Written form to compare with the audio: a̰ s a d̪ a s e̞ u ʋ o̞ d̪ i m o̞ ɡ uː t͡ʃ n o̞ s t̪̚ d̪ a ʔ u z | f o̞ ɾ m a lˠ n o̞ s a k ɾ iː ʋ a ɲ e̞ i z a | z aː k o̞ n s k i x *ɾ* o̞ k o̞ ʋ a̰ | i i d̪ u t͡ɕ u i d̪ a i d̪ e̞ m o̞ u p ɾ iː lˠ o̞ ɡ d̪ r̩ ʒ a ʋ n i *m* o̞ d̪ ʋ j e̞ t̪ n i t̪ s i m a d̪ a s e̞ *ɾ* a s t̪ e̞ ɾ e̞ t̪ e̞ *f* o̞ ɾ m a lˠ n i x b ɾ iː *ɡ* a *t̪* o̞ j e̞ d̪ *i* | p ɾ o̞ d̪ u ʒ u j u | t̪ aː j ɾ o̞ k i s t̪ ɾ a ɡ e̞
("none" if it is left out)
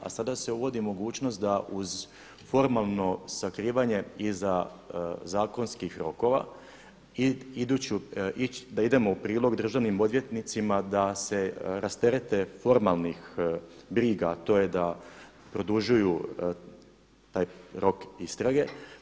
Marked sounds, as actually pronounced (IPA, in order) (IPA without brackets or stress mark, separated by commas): ɾ, m, ɾ, f, ɡ, t̪, a